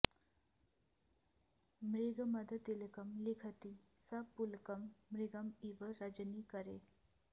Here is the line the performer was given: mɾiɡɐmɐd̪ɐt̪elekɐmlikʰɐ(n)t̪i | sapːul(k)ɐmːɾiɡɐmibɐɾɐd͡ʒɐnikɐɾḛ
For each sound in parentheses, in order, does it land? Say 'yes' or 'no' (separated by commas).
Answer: no, yes